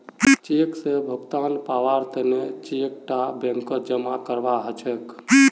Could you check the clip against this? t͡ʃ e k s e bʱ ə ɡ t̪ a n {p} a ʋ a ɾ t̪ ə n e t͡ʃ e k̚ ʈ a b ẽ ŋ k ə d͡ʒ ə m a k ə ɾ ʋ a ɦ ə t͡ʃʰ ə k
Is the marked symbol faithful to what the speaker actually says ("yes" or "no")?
yes